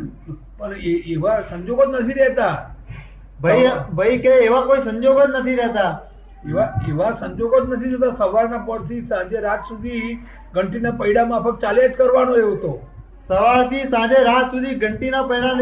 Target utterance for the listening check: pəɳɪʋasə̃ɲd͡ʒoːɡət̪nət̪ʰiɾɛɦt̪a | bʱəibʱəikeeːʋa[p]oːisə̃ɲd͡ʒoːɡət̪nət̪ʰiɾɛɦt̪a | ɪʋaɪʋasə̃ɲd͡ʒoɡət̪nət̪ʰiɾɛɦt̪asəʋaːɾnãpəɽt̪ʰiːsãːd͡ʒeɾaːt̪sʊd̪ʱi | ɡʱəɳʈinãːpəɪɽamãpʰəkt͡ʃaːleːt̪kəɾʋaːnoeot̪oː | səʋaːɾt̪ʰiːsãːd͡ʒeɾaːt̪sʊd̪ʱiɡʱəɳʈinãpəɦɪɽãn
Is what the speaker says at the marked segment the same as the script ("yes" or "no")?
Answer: no